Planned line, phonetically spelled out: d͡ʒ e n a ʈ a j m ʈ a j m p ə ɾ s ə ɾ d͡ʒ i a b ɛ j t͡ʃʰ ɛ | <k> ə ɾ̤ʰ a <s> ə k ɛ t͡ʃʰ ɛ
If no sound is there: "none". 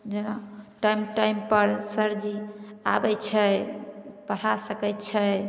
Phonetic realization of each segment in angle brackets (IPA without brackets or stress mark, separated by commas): p, s